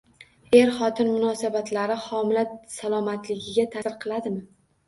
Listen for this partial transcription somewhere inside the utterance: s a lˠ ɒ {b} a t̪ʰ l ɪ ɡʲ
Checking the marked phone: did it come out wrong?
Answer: yes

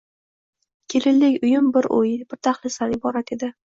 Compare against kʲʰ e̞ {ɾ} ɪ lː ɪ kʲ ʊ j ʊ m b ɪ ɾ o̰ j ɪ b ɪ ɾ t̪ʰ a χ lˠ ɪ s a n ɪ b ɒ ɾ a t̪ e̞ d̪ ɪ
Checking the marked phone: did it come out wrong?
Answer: yes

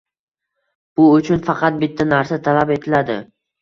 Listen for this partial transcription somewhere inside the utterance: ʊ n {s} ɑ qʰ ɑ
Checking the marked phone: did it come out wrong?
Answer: yes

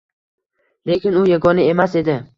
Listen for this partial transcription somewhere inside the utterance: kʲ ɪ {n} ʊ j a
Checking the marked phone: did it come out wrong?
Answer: no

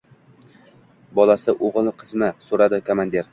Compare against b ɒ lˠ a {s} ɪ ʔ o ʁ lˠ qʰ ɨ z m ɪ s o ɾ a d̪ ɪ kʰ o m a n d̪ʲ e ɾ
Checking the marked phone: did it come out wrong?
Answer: no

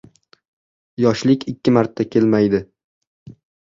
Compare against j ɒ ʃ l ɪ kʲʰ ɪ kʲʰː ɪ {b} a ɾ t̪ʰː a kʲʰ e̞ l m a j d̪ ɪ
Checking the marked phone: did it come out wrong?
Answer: yes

